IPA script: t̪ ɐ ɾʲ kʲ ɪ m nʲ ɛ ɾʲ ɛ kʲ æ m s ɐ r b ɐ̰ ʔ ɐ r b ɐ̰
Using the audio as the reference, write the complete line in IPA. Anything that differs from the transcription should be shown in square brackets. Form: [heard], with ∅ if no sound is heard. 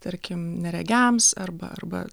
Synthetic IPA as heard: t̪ ɐ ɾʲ kʲ ɪ m nʲ ɛ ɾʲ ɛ [ɡʲ] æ m s ɐ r b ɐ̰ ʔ ɐ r b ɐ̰